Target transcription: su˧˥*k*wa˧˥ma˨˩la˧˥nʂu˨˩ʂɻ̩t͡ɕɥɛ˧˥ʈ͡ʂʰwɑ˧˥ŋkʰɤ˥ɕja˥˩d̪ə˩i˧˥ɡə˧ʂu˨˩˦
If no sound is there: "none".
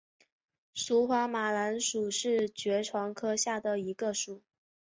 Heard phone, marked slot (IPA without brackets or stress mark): x